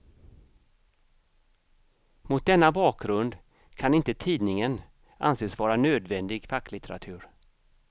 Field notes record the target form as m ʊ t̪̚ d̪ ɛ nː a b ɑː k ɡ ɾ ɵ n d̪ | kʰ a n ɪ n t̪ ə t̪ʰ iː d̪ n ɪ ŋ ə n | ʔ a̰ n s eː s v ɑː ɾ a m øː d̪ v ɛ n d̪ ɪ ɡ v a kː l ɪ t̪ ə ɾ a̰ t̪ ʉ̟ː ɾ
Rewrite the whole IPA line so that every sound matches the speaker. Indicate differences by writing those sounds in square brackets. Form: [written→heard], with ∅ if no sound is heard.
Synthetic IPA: m ʊ t̪̚ d̪ ɛ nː a b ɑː k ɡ ɾ ɵ n d̪ | kʰ a n ɪ n t̪ ə t̪ʰ iː d̪ n ɪ ŋ ə n | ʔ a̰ n s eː s v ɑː ɾ a [m→n] øː d̪ v ɛ n d̪ ɪ ɡ [v→f] a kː l ɪ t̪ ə ɾ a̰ [t̪→t̪ʰ] ʉ̟ː ɾ